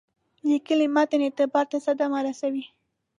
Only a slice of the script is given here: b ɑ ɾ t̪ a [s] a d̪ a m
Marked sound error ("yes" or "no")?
no